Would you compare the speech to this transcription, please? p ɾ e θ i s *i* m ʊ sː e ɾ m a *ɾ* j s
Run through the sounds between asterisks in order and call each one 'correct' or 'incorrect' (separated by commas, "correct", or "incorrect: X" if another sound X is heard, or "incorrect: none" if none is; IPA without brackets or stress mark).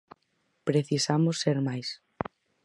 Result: incorrect: a, incorrect: none